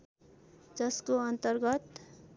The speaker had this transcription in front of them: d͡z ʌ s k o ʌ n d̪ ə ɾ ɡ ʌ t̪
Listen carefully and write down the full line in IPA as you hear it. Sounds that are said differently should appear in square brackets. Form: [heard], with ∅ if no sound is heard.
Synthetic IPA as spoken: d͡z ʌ s k o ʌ n [t̪] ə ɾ ɡ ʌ t̪